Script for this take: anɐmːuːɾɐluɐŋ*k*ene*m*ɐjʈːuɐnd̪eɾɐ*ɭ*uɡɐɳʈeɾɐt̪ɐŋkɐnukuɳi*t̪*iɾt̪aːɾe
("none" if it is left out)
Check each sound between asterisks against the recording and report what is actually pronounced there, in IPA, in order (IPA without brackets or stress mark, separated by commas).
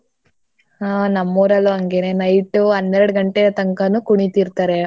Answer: ɡ, n, ɽ, t̪